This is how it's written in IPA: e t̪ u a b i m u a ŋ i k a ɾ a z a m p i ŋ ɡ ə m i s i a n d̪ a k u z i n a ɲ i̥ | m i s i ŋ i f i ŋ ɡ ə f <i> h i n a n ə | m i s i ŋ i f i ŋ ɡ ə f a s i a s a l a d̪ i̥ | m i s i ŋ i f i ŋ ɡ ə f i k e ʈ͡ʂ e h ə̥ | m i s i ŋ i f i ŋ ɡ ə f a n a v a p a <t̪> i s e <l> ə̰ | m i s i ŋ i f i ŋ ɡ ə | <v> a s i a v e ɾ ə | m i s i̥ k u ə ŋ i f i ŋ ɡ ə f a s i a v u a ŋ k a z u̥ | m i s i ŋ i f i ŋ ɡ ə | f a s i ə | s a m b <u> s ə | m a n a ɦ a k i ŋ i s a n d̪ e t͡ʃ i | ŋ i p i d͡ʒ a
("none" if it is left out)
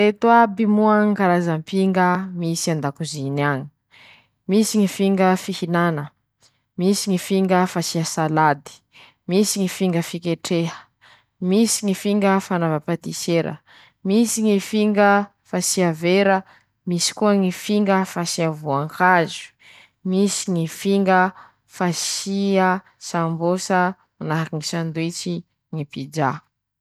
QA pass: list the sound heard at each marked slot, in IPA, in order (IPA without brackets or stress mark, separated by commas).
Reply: i, t̪, ɾ, f, o